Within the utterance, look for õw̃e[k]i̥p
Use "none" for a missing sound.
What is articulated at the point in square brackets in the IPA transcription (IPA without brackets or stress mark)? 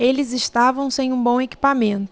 k